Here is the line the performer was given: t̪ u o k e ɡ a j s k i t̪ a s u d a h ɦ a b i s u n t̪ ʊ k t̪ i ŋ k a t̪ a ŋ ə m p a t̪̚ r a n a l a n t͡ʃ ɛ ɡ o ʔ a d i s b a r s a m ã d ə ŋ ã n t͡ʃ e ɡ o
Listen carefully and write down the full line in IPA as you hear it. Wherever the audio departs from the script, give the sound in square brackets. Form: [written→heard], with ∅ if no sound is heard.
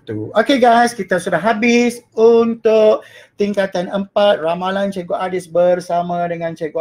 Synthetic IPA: t̪ u o k e ɡ a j s k i t̪ a s u d a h ɦ a b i s u n t̪ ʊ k t̪ i ŋ k a t̪ a [ŋ→n] ə m p a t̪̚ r a [n→m] a l a n t͡ʃ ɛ ɡ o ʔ a d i s b [a→ə] r s a m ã d ə ŋ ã n t͡ʃ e ɡ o